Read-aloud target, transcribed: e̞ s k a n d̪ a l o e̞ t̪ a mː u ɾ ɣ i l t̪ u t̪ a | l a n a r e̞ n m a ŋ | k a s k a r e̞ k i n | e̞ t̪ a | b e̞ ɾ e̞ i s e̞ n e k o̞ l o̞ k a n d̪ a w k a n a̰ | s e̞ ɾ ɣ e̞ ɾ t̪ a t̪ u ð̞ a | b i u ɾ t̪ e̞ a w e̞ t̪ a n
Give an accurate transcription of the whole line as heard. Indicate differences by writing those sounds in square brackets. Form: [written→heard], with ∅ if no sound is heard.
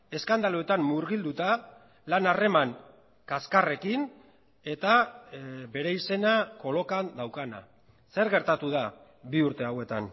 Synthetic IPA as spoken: e̞ s k a n d̪ a l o e̞ t̪ a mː u ɾ ɣ i l [t̪→d̪] u t̪ a | l a n a r e̞ [n→∅] m a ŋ | k a s k a r e̞ k i n | e̞ t̪ a | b e̞ ɾ e̞ i s e̞ n [e→a] k o̞ l o̞ k a n d̪ a w k a n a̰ | s e̞ ɾ ɣ e̞ ɾ t̪ a t̪ u ð̞ a | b i u ɾ t̪ e̞ a w e̞ t̪ a n